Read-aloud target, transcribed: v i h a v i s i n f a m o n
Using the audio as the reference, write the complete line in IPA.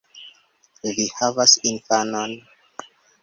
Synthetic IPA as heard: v i h a v a s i n f a n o n